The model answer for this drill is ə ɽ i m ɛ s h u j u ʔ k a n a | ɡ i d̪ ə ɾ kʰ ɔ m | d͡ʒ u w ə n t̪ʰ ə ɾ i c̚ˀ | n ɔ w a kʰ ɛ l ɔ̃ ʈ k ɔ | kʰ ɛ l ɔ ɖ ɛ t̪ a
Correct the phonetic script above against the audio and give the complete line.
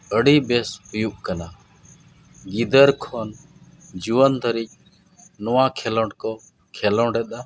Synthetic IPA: ə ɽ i b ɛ s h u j u ʔ k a n a | ɡ i d̪ ə ɾ kʰ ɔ n | d͡ʒ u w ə n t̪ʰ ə ɾ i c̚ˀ | n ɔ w a kʰ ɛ l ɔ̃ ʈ k ɔ | kʰ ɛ l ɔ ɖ ɛ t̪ a